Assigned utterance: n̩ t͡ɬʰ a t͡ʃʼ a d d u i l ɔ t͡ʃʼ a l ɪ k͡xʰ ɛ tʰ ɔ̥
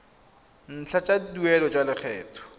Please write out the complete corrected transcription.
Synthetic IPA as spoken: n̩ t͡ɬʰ a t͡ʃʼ a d d u ɛ l ɔ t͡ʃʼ a l ɪ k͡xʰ ɛː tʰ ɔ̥